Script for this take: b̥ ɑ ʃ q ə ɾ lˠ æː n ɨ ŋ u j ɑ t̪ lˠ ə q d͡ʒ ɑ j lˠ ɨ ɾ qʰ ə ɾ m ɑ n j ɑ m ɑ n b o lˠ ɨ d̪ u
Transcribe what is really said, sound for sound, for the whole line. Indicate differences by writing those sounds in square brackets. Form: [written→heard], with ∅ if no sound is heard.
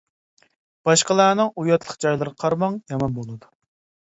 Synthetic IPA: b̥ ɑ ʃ q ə [ɾ→∅] lˠ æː n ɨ ŋ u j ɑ t̪ lˠ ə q d͡ʒ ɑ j lˠ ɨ ɾ qʰ [ə→ɑ] ɾ m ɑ [n→ŋ] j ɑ m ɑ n b o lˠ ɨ d̪ u